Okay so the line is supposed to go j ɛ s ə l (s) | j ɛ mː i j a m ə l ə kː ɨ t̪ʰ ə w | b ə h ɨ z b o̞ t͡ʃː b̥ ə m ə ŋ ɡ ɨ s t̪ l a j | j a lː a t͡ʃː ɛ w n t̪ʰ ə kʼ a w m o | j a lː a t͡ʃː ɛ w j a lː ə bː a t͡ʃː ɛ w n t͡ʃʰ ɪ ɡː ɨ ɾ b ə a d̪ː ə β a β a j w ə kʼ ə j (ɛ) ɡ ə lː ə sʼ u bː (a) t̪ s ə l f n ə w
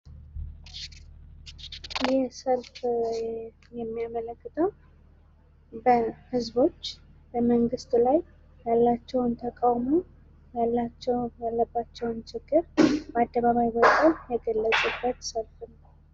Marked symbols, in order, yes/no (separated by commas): no, yes, no